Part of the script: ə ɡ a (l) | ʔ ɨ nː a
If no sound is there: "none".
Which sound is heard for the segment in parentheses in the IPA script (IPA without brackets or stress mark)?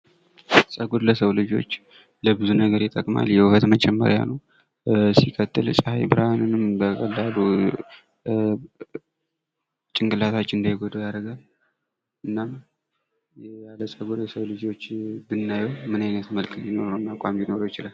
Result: l